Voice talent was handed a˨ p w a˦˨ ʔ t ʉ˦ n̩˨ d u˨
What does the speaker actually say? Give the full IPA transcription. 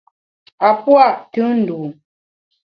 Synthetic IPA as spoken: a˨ p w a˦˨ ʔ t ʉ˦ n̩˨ d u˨